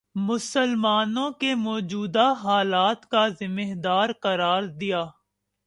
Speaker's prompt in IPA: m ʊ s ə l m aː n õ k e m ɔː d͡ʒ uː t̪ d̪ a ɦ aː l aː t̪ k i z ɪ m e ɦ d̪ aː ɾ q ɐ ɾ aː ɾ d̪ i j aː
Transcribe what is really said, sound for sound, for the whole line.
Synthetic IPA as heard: m ʊ s ə l m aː n õ k e m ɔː d͡ʒ uː d̪ a ɦ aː l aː t̪ k a z ɪ m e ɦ d̪ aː ɾ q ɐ ɾ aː ɾ d̪ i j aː